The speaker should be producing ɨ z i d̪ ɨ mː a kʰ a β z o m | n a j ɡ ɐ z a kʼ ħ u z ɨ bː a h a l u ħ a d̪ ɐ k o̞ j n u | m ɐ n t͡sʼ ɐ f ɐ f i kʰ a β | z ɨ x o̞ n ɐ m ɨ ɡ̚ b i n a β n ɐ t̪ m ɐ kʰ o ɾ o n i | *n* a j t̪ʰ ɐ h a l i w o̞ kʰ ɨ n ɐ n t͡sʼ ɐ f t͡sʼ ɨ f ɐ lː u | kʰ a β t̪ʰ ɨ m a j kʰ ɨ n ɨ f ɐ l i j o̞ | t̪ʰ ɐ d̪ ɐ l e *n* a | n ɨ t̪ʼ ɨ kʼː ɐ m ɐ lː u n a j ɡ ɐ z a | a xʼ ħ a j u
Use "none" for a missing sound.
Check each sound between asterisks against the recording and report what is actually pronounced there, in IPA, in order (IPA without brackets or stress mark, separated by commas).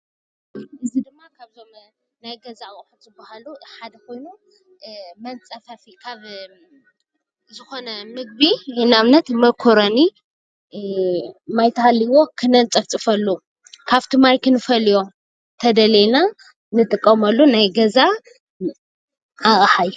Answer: m, n